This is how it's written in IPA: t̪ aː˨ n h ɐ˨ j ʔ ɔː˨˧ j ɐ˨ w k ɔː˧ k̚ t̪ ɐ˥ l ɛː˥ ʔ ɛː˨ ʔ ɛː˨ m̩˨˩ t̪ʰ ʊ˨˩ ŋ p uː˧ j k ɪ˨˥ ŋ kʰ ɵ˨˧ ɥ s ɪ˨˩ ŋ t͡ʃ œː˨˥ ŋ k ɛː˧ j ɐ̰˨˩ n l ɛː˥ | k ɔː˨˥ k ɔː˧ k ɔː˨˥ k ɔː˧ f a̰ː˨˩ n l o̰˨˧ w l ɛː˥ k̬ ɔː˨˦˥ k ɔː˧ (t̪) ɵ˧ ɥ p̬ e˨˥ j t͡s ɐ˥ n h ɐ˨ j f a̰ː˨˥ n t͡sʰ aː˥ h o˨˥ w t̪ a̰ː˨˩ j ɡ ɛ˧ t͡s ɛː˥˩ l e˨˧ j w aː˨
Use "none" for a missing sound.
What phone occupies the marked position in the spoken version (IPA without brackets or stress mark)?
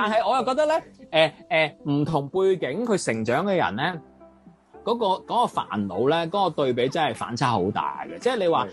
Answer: t̪